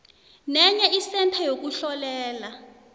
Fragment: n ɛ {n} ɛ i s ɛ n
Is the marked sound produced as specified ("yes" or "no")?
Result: no